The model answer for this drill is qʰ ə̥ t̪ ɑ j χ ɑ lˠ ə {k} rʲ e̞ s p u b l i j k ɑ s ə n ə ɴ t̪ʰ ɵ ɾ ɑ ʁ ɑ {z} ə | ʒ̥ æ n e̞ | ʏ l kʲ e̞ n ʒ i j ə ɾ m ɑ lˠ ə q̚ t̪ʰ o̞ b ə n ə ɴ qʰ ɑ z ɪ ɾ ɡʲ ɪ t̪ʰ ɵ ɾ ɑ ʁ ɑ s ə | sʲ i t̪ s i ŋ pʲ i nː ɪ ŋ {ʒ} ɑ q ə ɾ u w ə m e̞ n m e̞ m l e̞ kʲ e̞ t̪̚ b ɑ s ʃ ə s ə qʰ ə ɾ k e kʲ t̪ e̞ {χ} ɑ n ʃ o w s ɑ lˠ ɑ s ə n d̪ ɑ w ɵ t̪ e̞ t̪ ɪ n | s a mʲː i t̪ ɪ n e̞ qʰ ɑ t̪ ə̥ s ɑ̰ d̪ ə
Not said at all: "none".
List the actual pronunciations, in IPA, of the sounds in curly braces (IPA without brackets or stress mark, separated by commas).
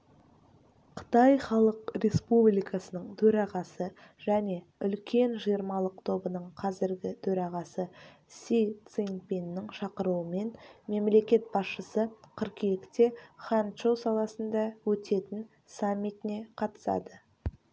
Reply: q, s, ʃ, χ